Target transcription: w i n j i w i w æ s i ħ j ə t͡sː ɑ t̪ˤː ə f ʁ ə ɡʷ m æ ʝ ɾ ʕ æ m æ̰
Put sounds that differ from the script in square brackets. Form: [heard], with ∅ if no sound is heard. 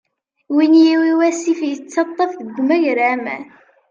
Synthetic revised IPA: w i n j i w i w æ s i [f] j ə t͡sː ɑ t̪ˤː [ɑ] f [ð] ə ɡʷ m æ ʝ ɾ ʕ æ m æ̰